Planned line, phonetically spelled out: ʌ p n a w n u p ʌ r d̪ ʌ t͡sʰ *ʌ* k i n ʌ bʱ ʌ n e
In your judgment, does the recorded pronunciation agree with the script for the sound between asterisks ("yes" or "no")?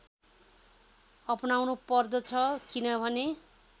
yes